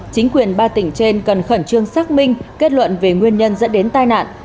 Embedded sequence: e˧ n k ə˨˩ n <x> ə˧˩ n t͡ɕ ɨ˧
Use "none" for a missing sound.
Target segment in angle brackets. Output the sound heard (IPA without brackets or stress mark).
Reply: x